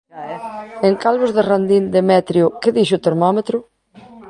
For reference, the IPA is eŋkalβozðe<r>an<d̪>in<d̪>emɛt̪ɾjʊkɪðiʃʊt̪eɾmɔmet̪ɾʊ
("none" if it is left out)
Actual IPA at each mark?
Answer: r, d̪, d̪

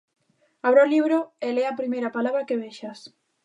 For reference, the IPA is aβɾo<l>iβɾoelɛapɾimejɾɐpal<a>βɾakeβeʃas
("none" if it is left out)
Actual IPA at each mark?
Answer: l, a

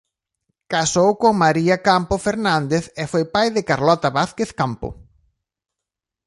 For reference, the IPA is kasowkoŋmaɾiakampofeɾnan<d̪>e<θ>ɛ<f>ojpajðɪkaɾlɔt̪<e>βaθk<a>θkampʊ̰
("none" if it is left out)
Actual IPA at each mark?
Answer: d̪, θ, f, a, e

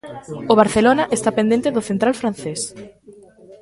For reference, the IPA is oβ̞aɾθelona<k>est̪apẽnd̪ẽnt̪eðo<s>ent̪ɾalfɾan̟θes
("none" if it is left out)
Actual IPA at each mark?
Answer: ʔ, θ

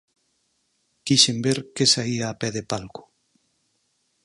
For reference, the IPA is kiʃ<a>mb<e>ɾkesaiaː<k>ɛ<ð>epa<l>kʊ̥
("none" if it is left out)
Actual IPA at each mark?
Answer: e, e, p, ð, l

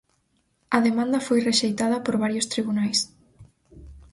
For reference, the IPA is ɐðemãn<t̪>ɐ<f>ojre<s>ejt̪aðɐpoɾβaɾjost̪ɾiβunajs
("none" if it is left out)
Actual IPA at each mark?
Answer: d̪, f, ʃ

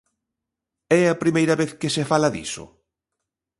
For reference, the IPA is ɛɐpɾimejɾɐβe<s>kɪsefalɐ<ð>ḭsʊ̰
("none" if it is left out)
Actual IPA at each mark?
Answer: θ, ð

